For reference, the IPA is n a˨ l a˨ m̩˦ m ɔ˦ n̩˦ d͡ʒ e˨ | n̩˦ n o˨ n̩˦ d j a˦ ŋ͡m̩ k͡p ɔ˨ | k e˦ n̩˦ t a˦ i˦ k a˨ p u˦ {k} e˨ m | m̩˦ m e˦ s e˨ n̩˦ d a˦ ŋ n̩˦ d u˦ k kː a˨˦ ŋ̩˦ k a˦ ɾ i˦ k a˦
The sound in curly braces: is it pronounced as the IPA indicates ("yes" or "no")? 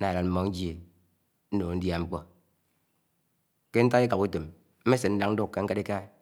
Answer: no